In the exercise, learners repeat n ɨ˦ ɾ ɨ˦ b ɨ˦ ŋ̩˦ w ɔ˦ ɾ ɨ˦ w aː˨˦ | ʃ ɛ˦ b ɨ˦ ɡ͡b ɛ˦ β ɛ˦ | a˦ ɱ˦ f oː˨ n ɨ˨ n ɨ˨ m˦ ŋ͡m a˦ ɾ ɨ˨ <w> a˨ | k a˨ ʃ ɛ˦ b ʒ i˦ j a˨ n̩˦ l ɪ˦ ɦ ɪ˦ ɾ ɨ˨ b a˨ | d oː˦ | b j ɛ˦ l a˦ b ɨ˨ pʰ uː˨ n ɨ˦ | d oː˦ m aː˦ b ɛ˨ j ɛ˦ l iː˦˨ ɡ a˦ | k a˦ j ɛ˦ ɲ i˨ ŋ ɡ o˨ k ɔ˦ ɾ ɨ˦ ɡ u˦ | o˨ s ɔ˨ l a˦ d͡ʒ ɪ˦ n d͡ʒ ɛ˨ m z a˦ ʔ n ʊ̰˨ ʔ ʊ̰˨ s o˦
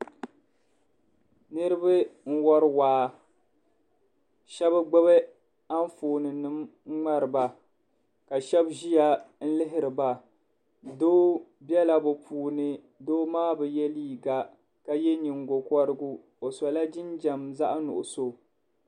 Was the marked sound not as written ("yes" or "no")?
yes